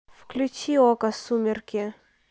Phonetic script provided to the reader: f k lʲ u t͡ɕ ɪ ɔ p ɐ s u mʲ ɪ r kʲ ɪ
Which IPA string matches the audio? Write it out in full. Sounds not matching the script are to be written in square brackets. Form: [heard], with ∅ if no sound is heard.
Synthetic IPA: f k lʲ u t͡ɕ [i] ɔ [k] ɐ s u mʲ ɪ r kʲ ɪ